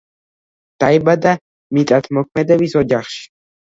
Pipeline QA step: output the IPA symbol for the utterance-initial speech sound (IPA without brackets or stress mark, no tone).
d̪̥